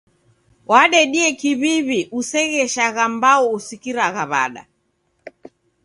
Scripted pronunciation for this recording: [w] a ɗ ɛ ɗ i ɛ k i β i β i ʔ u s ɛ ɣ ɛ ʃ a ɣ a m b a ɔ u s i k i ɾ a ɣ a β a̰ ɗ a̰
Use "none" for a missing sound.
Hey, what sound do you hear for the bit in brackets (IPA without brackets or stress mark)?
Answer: w